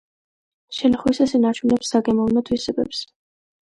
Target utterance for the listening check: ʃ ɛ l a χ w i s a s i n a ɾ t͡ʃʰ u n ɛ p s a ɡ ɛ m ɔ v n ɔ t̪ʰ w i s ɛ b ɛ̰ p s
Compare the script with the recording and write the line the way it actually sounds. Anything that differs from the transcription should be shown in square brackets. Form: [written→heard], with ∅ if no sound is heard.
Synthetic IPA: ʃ ɛ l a χ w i s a s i n a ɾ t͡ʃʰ u n ɛ p s a ɡ ɛ m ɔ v n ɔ t̪ʰ w i s ɛ b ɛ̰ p s